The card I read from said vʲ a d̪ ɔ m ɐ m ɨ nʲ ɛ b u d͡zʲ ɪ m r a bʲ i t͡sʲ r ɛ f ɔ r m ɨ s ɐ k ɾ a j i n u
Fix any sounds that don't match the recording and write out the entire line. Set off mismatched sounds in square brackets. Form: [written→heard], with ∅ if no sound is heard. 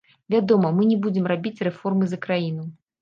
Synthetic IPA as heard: vʲ a d̪ ɔ m ɐ m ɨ nʲ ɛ b u d͡zʲ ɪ m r a bʲ i t͡sʲ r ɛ f ɔ r m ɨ [s→z] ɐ k ɾ a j i n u